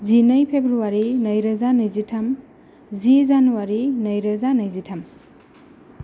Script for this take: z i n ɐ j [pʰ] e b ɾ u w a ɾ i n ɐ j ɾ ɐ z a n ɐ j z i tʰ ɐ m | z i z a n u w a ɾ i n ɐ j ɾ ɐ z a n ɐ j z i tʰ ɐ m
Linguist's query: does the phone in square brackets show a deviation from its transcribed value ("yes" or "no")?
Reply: no